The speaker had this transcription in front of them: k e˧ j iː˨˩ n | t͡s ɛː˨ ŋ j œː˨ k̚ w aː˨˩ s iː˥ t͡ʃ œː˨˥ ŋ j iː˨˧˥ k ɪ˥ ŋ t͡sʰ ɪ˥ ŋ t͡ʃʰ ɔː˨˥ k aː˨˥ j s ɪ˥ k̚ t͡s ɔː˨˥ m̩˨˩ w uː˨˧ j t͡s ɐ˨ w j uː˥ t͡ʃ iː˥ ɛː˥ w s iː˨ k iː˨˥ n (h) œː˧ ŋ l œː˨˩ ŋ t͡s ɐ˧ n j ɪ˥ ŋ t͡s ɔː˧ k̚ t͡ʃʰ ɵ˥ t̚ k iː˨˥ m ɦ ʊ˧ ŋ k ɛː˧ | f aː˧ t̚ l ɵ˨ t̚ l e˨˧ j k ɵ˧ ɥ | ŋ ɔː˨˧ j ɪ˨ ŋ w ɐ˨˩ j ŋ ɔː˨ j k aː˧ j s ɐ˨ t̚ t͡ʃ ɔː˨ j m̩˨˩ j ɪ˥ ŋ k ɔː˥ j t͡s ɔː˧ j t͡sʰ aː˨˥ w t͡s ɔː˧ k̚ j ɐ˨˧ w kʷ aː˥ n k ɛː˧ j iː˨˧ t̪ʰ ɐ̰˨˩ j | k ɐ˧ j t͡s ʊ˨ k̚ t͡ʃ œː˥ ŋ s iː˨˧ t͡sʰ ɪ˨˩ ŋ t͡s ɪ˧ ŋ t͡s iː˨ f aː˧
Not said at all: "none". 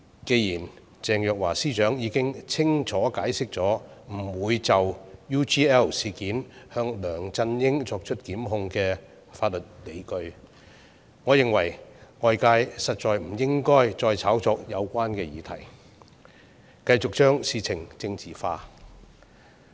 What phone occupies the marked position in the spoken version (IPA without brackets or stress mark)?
h